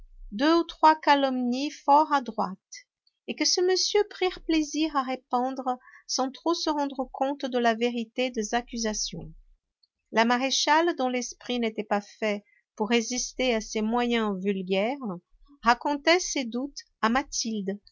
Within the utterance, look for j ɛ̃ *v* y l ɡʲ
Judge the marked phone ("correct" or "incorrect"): correct